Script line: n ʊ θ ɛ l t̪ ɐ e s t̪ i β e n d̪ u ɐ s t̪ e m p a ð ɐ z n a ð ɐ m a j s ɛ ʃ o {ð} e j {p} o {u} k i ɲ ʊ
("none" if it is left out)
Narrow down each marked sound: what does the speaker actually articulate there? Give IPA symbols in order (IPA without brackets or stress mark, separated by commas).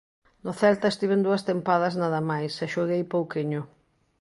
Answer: ɣ, p, w